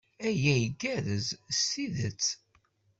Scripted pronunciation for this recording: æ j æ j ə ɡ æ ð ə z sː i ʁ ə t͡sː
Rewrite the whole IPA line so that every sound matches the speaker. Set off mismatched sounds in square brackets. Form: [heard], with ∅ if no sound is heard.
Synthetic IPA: æ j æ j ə ɡ æ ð ə z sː i [ð] ə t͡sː